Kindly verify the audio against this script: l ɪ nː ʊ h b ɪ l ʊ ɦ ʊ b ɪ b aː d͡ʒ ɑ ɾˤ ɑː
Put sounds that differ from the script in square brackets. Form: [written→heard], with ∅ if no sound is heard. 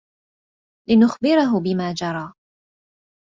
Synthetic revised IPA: l ɪ [nː→n] ʊ [h→x] b ɪ [l→ɾ] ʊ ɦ ʊ b ɪ [b→m] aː d͡ʒ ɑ ɾˤ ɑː

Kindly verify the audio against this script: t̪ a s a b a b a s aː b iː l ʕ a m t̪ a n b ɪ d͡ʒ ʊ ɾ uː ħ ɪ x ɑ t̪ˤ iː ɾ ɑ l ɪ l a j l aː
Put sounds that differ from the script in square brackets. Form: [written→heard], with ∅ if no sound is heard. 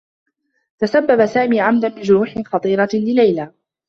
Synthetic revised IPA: t̪ a s a [b→bː] a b a s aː [b→m] iː [l→∅] ʕ a m [t̪→d̪] a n b ɪ d͡ʒ ʊ ɾ uː ħ ɪ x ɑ t̪ˤ iː ɾ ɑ l ɪ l a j l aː

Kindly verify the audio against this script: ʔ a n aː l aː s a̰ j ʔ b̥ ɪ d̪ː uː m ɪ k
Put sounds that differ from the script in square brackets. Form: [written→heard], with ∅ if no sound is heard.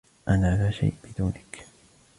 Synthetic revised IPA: ʔ a n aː l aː [s→ʃ] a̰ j ʔ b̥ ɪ [d̪ː→d̪] uː [m→n] ɪ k

